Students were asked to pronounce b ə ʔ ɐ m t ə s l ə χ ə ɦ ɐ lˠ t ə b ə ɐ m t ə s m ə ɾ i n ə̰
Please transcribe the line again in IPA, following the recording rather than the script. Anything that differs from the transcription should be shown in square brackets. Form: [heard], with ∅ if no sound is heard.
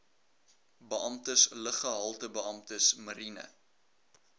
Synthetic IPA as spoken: b ə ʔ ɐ m t ə s l ə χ ə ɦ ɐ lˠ t ə b ə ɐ m t ə s m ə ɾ i n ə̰